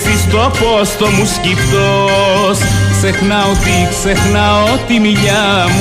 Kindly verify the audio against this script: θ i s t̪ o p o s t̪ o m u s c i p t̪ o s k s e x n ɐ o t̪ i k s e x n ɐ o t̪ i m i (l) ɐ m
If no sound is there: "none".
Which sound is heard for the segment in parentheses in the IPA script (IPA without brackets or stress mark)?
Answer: ʎ